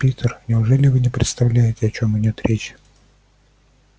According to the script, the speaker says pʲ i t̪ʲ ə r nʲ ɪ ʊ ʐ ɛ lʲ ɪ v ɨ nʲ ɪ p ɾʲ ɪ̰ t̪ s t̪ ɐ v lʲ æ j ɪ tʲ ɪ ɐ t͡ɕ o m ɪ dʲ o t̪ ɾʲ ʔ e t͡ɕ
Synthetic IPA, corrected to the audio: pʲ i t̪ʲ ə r nʲ ɪ ʊ ʐ ɛ lʲ ɪ v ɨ nʲ ɪ p ɾʲ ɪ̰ t̪ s t̪ ɐ v lʲ æ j ɪ tʲ ɪ ɐ t͡ɕ o m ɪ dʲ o t̪ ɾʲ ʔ e t͡ɕ